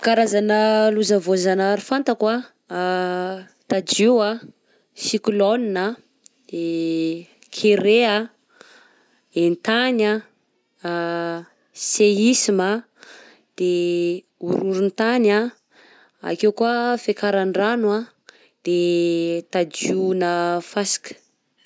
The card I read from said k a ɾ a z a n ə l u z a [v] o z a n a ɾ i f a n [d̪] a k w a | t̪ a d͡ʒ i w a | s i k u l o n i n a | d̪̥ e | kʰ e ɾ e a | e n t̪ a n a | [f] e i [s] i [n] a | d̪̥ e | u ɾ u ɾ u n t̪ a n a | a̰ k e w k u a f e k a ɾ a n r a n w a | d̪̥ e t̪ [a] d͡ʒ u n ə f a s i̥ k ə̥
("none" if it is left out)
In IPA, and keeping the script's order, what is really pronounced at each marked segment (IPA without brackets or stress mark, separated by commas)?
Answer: v, t̪, s, s, m, a